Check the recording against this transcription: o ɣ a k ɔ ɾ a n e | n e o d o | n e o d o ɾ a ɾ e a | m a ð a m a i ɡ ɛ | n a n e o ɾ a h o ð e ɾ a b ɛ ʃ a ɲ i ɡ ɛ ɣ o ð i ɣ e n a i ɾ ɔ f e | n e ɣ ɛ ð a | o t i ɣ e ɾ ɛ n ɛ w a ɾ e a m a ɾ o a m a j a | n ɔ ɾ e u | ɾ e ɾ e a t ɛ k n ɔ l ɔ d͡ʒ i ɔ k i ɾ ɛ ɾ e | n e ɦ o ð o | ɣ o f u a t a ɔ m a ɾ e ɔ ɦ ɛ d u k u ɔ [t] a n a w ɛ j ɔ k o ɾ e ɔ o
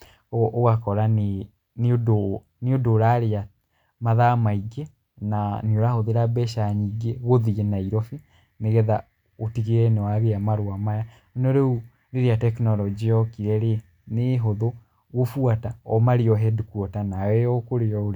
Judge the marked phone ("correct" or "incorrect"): correct